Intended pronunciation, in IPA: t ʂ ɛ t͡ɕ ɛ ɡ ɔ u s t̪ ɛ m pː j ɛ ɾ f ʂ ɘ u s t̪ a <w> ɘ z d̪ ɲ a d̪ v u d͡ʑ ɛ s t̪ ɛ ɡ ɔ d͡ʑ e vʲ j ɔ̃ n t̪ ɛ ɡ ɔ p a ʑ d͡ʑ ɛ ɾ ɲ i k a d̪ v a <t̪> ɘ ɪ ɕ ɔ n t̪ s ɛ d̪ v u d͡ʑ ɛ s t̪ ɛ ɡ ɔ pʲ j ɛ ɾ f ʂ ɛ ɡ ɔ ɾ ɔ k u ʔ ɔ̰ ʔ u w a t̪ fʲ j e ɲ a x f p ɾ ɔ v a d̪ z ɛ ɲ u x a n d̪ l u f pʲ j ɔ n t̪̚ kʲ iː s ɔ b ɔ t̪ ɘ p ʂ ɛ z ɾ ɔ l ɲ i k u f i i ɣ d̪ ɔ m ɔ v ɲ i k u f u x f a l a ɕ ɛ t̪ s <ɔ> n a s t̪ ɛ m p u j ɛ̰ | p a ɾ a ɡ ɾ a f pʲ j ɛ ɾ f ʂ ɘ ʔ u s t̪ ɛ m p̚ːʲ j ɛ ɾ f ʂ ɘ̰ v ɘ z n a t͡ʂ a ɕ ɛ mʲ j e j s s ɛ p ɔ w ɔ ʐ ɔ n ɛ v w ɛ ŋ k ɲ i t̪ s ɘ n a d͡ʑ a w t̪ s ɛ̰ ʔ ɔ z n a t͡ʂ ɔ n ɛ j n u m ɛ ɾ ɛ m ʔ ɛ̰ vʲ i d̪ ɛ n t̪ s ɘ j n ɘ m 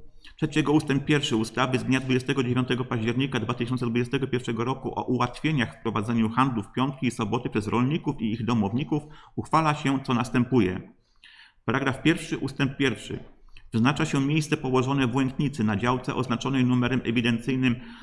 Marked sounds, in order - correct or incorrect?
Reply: incorrect: v, correct, correct

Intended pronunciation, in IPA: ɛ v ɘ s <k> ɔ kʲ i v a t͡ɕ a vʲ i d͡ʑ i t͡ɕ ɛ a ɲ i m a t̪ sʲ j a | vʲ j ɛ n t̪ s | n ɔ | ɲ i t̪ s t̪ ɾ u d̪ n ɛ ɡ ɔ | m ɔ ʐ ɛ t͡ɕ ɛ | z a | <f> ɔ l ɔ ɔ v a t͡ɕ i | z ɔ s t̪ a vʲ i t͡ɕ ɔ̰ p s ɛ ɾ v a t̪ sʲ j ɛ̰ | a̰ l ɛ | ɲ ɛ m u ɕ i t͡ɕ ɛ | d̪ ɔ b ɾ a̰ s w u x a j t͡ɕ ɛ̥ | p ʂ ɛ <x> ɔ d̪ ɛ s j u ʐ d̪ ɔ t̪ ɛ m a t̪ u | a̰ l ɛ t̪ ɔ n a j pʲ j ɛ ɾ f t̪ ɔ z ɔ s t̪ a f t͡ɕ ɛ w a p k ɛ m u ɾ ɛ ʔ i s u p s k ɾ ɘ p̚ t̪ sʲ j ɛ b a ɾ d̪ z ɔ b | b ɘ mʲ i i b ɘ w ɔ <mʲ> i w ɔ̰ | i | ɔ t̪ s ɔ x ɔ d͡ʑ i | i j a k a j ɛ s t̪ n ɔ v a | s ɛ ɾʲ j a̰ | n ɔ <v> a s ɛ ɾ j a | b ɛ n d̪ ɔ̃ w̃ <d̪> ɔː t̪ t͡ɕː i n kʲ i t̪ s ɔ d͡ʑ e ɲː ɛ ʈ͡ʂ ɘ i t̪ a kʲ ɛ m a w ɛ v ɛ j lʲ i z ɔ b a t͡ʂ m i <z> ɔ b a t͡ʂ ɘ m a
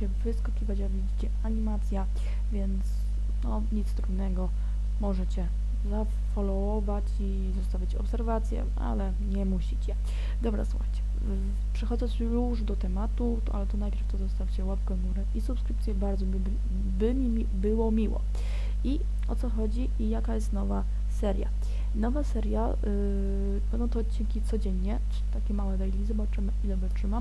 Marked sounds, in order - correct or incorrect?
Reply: correct, correct, correct, correct, correct, incorrect: t̪, correct

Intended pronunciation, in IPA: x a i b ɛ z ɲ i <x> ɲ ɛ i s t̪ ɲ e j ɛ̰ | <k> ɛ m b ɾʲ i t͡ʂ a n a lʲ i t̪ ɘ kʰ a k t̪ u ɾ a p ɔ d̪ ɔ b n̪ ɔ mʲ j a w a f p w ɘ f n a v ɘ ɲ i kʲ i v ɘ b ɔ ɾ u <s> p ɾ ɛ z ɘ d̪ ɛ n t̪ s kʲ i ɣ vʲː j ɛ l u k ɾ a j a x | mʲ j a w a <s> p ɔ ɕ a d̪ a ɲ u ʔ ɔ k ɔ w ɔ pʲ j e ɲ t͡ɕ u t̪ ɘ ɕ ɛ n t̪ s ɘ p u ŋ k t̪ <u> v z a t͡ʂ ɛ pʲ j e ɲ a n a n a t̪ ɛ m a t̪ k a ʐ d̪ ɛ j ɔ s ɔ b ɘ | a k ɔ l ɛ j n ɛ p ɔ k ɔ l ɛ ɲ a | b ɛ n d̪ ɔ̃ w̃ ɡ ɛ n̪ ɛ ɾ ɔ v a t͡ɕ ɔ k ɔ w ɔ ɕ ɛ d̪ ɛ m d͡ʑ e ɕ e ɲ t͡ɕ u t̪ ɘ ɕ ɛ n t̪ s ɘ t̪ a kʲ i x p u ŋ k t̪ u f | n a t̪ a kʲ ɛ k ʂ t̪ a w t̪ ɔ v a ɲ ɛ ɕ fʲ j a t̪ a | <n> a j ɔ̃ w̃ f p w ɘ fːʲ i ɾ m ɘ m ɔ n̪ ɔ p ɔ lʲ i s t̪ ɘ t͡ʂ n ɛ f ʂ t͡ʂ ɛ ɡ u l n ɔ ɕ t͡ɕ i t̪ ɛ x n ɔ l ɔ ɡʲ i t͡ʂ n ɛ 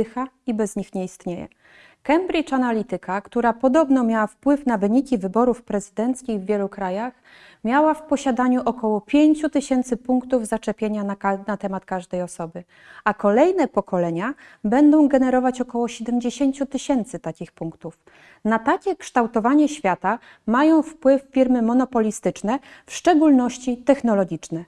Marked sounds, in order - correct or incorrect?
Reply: correct, correct, incorrect: f, incorrect: f, correct, incorrect: m

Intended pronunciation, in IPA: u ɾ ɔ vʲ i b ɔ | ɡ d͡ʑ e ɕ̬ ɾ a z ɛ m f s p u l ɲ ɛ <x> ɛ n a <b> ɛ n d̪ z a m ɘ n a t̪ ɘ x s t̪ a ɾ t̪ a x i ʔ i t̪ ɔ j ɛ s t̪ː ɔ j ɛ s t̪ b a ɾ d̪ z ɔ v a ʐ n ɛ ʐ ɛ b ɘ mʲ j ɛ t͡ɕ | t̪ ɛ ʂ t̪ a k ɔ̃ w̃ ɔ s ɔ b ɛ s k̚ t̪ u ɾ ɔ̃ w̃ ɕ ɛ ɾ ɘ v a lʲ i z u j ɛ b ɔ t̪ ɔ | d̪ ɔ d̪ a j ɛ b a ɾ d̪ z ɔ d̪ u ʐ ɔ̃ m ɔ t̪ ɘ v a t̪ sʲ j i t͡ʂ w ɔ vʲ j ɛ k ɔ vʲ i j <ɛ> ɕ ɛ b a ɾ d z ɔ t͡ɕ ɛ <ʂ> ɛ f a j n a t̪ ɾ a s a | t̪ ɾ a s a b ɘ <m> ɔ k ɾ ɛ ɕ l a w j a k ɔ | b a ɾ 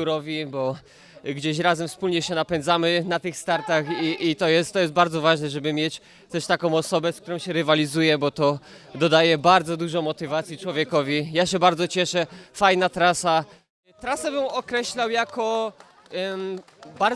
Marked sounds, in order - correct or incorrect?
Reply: incorrect: ɕ, incorrect: p, incorrect: a, correct, correct

